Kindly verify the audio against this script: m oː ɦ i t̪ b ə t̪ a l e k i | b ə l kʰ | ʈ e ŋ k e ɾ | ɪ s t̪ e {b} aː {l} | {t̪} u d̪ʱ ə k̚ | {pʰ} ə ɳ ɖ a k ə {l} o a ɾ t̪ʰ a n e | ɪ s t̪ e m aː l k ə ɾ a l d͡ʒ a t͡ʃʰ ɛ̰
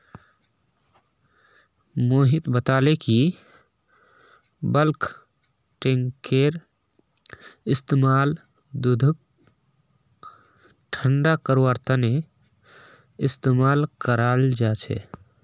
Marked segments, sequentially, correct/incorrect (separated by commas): incorrect, correct, incorrect, incorrect, incorrect